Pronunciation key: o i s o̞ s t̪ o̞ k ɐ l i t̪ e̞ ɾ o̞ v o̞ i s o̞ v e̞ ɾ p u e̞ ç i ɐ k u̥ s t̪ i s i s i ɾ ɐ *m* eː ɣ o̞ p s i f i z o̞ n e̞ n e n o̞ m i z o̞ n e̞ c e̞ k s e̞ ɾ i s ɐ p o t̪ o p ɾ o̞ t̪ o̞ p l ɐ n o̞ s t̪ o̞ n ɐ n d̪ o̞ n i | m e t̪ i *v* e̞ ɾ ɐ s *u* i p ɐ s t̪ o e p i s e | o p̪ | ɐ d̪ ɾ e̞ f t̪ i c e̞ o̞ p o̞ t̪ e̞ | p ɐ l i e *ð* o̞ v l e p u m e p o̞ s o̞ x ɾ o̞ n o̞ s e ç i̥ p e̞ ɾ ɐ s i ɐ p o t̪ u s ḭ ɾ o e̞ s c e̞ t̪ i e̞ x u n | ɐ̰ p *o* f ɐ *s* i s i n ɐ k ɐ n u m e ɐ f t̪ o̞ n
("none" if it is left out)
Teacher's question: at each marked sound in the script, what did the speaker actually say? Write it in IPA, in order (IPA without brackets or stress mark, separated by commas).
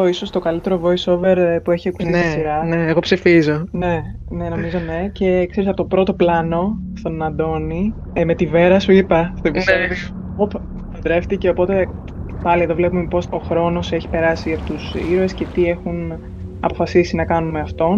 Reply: n, v, u, ð, o, s